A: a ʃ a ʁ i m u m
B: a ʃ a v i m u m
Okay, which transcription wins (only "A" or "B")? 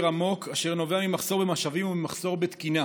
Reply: B